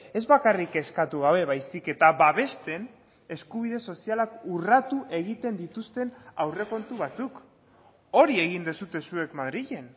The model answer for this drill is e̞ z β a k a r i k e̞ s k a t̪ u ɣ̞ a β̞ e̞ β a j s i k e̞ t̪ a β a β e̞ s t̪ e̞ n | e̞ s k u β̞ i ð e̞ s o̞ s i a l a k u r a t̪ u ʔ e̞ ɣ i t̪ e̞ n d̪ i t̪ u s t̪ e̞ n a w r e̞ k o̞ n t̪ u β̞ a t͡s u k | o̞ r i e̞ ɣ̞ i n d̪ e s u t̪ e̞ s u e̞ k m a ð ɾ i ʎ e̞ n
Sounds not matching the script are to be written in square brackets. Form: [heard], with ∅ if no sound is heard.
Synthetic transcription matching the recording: e̞ z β a k a r i k e̞ s k a t̪ u ɣ̞ a β̞ e̞ β a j s i k e̞ t̪ a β a β e̞ s t̪ e̞ n | e̞ s k u β̞ i ð e̞ s o̞ s i a l a k u r a t̪ u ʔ e̞ ɣ i t̪ e̞ n d̪ i t̪ u s t̪ e̞ n a w r e̞ k o̞ n t̪ u β̞ a t͡s u k | o̞ [ɾ] i e̞ ɣ̞ i n d̪ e s u t̪ e̞ s u e̞ k m a ð ɾ i ʎ e̞ n